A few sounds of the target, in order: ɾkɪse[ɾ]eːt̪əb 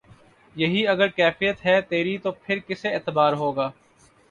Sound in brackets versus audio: incorrect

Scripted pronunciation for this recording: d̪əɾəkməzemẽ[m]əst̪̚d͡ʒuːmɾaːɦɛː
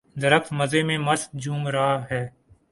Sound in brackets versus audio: correct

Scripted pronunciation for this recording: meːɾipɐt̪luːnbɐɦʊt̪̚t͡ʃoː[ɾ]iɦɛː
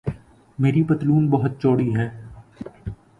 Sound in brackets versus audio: incorrect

